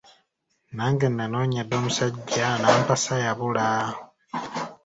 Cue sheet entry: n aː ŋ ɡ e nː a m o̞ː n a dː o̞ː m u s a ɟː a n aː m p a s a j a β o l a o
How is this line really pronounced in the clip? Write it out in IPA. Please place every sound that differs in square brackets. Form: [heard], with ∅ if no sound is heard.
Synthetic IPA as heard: n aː ŋ ɡ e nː a [n] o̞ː [ɲ] a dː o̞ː m u s a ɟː a n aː m p a s a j a β [u] l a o